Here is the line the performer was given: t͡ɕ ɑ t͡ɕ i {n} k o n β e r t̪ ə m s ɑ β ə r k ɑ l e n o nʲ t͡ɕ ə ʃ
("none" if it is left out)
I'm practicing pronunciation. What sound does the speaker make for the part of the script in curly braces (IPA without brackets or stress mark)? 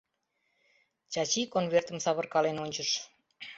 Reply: none